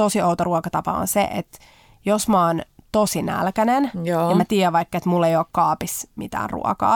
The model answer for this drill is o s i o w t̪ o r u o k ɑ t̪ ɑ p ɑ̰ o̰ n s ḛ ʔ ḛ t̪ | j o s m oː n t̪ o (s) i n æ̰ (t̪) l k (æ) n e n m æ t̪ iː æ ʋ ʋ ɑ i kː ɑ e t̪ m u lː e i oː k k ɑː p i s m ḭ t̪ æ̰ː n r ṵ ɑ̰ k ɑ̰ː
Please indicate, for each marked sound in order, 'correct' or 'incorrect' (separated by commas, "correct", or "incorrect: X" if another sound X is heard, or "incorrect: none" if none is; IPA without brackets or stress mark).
correct, incorrect: none, correct